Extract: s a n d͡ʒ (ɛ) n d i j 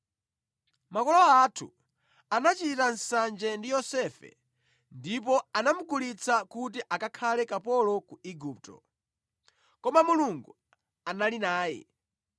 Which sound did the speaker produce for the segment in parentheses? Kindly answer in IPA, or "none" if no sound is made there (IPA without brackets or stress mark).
ɛ